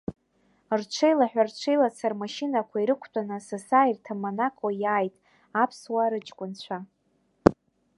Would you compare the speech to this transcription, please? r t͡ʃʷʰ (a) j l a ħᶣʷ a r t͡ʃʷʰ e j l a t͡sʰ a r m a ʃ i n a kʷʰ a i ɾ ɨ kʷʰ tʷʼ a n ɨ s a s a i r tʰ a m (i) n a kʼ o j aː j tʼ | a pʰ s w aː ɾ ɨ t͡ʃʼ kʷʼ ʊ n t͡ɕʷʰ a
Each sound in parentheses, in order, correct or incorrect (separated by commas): incorrect, incorrect